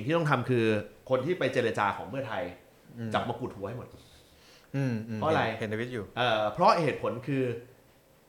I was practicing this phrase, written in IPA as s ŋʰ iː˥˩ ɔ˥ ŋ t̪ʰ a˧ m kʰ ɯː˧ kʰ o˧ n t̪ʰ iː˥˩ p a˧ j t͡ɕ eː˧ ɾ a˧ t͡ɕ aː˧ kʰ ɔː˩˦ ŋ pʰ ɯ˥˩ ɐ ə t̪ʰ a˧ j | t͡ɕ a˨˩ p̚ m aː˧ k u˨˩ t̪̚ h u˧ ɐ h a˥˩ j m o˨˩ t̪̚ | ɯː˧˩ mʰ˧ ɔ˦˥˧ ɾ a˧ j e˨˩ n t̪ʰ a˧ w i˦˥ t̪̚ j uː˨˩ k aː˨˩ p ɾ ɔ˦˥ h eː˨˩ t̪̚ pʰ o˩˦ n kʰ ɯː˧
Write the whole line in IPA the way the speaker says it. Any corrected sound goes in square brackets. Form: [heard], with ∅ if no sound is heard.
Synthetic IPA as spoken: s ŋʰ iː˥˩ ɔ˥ ŋ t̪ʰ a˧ m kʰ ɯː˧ kʰ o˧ n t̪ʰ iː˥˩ p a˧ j t͡ɕ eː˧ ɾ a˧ t͡ɕ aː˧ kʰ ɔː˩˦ ŋ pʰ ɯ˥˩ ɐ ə t̪ʰ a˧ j | t͡ɕ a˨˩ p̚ m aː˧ k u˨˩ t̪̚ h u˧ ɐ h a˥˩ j m o˨˩ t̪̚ | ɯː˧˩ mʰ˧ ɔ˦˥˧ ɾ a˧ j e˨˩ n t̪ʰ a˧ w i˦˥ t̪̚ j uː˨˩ [ʔ] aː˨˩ [pʰ] ɾ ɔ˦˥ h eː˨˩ t̪̚ pʰ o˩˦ n kʰ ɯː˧